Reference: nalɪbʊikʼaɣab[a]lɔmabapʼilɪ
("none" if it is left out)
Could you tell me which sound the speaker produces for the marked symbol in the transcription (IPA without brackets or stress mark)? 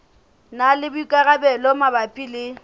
ɛ